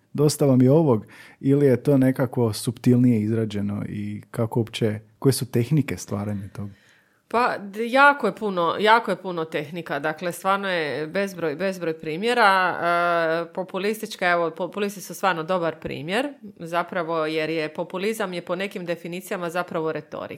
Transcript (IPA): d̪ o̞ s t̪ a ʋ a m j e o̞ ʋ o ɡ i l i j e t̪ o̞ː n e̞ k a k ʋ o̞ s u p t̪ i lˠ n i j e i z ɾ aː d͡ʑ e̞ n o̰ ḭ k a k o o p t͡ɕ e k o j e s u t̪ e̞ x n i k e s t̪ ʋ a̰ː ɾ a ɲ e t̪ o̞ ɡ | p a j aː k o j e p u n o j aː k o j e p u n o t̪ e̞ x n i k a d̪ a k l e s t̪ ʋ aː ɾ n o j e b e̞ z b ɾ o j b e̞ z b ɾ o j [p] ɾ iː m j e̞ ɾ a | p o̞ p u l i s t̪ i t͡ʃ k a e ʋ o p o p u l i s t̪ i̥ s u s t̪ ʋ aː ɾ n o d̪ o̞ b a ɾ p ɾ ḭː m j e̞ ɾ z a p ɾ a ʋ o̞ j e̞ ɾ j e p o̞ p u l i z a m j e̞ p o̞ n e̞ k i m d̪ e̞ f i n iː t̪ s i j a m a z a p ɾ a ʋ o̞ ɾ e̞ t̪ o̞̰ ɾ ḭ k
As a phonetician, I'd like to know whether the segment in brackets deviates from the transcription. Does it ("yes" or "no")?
no